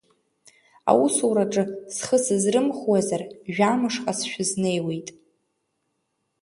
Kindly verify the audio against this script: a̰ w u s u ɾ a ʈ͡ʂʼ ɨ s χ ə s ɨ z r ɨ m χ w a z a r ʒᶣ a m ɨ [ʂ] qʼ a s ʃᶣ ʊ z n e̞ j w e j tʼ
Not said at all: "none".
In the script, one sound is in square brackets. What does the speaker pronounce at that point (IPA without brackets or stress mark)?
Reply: ʂ